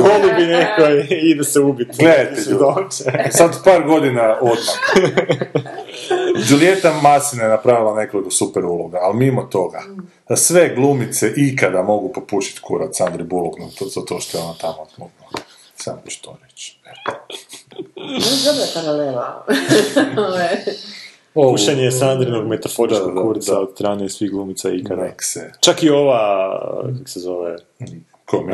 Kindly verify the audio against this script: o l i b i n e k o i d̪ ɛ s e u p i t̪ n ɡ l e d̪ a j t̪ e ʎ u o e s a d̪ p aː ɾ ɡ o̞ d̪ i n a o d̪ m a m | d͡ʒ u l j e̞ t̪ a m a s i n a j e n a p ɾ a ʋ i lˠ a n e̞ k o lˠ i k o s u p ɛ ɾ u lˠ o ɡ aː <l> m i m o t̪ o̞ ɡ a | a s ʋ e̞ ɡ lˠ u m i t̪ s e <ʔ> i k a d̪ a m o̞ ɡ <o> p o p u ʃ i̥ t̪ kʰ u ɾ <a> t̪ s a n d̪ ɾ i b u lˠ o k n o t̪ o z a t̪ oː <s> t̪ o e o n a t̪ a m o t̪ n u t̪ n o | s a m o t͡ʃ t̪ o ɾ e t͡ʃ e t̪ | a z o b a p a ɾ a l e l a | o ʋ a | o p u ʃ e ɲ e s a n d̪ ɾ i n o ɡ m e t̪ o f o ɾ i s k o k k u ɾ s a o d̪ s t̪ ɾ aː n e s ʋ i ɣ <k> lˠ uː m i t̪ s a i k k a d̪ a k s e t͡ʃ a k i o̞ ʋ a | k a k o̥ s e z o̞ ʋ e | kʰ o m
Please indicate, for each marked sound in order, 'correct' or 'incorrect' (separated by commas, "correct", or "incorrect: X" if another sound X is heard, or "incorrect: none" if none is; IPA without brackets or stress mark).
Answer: correct, correct, incorrect: u, correct, incorrect: ʃ, incorrect: ɡ